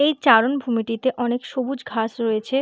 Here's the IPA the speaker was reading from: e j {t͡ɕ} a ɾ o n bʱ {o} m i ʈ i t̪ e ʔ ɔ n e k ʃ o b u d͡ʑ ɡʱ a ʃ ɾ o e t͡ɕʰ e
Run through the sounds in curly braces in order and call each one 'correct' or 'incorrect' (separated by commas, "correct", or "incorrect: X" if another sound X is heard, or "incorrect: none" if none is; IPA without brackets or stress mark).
correct, incorrect: u